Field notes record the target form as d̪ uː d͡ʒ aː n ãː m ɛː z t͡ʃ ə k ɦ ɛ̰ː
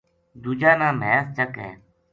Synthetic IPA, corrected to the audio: d̪ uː d͡ʒ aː n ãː m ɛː s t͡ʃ ə k ɦ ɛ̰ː